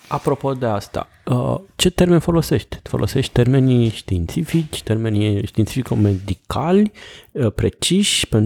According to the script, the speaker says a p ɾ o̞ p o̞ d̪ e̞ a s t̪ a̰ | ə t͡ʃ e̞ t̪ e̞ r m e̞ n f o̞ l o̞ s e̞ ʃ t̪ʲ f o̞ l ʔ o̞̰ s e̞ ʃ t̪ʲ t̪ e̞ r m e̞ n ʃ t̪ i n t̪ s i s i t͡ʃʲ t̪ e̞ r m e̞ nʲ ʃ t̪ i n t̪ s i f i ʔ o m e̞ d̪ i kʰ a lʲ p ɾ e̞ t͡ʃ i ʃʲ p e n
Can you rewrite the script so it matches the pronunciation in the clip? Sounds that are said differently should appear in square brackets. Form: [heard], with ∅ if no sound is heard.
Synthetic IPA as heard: a p ɾ o̞ p o̞ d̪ e̞ a s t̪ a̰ | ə t͡ʃ e̞ t̪ e̞ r m e̞ n f o̞ l o̞ s e̞ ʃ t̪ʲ f o̞ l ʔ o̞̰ s e̞ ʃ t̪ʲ t̪ e̞ r m e̞ n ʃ t̪ i n t̪ s i [f] i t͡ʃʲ t̪ e̞ r m e̞ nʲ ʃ t̪ i n t̪ s i f i [k] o m e̞ d̪ i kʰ a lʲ p ɾ e̞ t͡ʃ i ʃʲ p e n